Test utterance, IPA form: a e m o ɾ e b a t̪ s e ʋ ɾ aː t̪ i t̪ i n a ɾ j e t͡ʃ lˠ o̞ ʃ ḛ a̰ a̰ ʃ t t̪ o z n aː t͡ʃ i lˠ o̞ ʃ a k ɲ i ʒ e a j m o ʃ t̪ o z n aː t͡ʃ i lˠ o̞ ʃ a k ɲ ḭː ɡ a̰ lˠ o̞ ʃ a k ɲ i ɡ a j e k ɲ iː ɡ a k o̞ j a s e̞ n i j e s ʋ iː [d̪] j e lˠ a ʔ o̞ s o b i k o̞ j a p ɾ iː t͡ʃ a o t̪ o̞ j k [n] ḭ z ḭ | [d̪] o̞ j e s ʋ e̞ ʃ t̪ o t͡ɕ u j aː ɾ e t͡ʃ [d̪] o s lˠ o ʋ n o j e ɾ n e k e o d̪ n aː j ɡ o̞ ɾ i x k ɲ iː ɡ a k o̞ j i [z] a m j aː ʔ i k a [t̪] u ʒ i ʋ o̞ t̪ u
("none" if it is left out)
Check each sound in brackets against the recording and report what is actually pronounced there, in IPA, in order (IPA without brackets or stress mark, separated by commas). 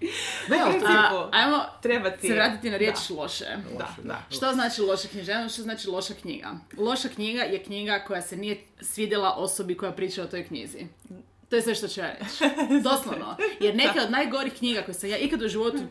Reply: d̪, ɲ, t̪, d̪, s, d̪